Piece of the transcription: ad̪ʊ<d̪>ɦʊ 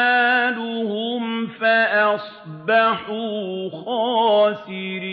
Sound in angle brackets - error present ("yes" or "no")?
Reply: yes